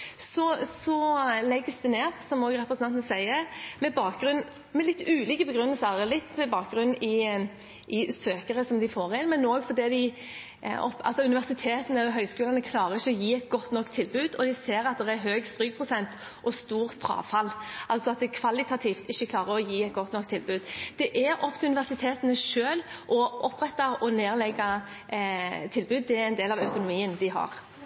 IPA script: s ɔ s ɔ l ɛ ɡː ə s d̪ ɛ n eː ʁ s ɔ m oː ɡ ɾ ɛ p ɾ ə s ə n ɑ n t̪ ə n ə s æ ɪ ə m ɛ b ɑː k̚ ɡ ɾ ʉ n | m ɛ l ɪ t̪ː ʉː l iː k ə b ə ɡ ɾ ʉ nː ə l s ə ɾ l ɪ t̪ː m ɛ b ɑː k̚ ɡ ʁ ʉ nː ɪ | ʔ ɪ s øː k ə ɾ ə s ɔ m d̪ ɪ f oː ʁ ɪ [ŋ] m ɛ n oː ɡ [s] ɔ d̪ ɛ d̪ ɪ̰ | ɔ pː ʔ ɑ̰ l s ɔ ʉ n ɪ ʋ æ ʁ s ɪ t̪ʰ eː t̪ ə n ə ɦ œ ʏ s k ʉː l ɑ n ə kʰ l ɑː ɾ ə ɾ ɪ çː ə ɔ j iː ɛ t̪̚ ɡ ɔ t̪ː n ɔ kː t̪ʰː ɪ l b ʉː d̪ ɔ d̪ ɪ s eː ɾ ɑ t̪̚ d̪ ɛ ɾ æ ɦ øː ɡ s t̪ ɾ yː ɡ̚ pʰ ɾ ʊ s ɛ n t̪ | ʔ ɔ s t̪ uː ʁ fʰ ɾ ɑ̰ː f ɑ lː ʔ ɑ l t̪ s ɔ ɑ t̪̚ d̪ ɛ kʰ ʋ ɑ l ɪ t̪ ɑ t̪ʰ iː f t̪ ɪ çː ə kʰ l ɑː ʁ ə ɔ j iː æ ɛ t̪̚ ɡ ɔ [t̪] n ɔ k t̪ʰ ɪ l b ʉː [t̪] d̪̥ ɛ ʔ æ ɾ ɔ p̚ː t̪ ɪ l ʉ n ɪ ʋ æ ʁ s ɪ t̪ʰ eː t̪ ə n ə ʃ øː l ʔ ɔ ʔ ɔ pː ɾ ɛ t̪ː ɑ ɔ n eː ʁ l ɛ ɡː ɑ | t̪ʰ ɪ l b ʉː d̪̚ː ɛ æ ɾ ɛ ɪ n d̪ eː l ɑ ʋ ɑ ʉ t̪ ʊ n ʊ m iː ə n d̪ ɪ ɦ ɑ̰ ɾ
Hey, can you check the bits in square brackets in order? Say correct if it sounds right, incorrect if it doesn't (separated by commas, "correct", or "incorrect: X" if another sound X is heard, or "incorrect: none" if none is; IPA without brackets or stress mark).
incorrect: n, incorrect: f, correct, incorrect: d̪